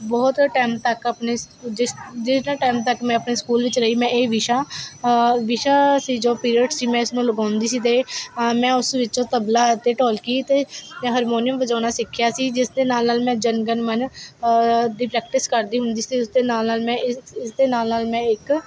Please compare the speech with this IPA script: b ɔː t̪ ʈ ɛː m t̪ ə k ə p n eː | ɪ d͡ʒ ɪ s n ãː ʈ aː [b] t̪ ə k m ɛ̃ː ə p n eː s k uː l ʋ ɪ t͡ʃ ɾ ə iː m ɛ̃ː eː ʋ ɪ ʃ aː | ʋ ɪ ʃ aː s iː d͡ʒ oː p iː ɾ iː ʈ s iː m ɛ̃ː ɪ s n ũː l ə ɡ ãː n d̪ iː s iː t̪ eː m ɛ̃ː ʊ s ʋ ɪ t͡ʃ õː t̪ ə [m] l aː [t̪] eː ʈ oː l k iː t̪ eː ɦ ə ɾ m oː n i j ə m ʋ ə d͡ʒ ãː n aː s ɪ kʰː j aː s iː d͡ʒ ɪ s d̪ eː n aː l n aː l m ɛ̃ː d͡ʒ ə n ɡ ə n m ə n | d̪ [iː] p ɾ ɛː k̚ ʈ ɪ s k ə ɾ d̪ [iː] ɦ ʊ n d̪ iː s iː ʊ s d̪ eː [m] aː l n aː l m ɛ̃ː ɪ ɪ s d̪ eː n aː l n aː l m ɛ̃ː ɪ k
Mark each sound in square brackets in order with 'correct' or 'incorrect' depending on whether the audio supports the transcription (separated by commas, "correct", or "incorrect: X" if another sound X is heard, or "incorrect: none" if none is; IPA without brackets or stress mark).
incorrect: m, incorrect: b, correct, correct, correct, incorrect: n